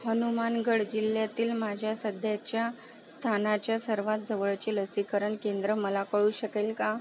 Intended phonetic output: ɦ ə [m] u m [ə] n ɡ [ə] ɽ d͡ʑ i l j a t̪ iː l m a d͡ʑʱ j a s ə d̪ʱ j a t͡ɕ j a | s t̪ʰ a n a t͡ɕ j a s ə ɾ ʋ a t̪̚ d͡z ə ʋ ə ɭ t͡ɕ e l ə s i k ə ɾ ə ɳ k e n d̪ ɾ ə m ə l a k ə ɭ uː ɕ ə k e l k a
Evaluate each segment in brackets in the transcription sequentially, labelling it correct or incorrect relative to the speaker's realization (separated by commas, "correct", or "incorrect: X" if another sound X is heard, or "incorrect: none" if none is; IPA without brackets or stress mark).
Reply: incorrect: n, incorrect: a, correct